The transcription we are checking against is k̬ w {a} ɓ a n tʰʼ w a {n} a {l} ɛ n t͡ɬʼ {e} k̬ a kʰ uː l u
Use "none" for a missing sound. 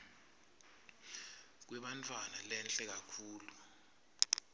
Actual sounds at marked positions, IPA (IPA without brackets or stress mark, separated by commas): ɛ, n, l, ɛ